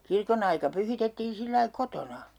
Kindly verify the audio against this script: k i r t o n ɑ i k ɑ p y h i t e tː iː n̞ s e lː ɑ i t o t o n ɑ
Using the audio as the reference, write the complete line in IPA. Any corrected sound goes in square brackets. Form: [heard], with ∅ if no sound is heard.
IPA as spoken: k i r [k] o n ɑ i k ɑ p y h i t e tː iː n̞ s [i] lː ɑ i [k] o t o n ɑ